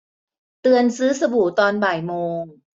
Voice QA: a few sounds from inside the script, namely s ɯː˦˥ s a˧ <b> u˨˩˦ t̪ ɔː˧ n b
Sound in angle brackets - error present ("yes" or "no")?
no